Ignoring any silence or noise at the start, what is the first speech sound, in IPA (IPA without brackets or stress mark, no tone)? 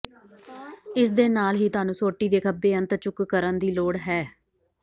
ɪ